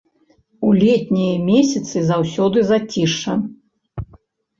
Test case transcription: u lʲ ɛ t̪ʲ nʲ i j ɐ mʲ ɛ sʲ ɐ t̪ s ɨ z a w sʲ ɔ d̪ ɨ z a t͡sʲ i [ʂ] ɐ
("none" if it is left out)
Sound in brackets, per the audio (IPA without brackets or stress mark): ʂ